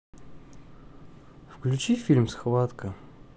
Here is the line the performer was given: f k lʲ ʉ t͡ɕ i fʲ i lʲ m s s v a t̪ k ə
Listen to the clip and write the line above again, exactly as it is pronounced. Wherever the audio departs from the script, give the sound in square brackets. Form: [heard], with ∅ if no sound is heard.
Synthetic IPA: f k lʲ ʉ t͡ɕ i fʲ i lʲ m s [x] v a t̪ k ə